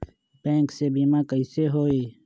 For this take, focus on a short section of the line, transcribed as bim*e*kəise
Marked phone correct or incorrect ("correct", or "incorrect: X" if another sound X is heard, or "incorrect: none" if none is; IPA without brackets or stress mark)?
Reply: incorrect: a